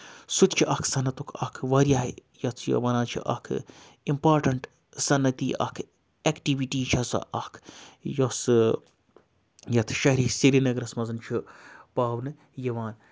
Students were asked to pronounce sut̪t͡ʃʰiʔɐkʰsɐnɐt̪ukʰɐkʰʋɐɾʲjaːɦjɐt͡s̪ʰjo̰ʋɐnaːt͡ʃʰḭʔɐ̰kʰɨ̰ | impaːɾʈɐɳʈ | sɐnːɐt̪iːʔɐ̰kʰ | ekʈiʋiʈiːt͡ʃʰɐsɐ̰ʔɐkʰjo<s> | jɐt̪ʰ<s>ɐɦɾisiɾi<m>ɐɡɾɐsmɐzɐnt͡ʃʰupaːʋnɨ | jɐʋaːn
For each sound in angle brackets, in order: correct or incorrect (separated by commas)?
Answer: correct, incorrect, incorrect